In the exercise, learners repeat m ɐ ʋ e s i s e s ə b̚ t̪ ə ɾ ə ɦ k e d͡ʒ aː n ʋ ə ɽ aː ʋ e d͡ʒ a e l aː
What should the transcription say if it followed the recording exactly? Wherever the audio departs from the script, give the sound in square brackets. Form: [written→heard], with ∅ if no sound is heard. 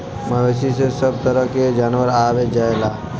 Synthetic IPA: m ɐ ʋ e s i s e s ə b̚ t̪ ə ɾ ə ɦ k e d͡ʒ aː n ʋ ə [ɽ→ɾ] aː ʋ e d͡ʒ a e l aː